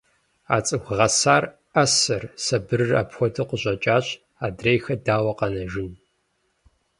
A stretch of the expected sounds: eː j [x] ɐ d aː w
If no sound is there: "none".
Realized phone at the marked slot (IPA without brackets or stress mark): x